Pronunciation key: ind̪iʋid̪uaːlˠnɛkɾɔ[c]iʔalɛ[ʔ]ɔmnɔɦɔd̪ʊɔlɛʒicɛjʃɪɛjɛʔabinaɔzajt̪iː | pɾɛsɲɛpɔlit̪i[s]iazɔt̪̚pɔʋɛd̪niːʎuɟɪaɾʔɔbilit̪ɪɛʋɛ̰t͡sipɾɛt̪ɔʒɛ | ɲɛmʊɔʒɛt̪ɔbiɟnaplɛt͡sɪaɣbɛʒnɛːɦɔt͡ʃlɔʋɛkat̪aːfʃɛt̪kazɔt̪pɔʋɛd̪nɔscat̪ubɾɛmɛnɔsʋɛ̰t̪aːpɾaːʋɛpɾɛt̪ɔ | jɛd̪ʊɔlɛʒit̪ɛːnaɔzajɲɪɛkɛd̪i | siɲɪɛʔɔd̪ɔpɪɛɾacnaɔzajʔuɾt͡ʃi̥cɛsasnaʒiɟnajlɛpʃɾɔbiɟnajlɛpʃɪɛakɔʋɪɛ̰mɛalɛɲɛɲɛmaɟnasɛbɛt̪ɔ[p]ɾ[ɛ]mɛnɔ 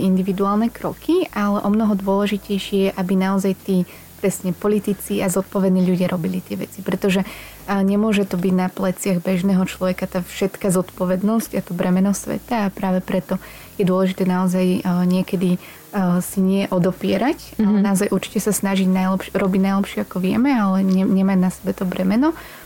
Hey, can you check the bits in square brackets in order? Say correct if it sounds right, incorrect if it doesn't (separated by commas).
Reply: incorrect, correct, incorrect, incorrect, correct